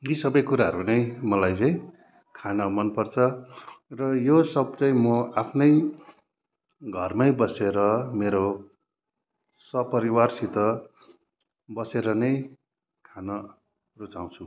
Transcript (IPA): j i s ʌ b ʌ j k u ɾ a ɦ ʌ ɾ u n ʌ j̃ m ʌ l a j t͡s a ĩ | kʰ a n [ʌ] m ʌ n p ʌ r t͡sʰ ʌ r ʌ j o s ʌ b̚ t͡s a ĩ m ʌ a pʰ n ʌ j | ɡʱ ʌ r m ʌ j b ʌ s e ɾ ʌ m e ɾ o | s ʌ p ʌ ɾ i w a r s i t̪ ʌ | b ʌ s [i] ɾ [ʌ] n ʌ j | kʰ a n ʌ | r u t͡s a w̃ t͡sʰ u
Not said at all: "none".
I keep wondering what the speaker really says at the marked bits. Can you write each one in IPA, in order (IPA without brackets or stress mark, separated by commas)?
ʌ, e, ʌ